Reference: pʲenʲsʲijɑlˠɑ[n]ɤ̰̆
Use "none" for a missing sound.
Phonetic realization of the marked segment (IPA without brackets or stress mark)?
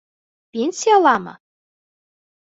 m